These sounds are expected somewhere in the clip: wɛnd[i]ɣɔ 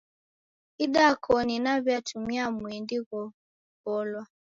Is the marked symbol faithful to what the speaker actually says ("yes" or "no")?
yes